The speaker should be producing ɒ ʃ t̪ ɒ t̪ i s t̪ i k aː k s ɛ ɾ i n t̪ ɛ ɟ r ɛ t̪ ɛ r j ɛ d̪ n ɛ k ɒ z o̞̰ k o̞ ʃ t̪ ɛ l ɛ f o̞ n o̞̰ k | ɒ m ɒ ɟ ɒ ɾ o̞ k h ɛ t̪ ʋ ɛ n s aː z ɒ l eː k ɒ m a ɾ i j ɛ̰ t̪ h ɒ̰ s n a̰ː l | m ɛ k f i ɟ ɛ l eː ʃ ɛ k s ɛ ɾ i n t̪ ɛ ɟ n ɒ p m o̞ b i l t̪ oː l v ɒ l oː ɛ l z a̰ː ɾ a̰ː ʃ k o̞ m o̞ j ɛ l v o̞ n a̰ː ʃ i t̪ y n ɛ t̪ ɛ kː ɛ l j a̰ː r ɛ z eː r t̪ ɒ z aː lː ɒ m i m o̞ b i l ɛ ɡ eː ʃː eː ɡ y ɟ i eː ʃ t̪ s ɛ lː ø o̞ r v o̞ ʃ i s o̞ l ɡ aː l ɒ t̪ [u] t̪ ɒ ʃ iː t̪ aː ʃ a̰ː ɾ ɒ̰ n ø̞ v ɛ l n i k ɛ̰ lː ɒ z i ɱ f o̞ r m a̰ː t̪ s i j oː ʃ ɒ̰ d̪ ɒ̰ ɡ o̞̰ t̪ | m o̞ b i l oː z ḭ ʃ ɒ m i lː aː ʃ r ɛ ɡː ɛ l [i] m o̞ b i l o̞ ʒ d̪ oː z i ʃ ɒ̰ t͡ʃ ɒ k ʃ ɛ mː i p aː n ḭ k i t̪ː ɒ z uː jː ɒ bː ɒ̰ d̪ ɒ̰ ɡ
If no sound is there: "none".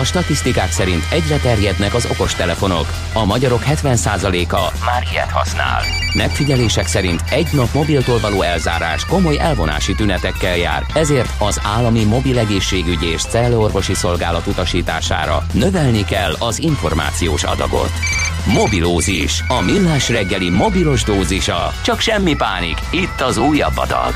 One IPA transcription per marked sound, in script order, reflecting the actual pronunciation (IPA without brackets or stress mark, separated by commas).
u, i